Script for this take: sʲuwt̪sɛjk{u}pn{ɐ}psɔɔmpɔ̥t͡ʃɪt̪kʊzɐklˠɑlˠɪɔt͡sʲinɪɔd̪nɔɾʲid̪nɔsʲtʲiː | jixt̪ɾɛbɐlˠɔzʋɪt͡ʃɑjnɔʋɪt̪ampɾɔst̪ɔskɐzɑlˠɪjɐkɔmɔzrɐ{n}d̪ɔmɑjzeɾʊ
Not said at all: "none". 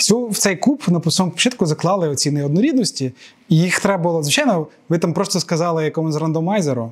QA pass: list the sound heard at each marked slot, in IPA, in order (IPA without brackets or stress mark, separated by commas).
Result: u, ɐ, n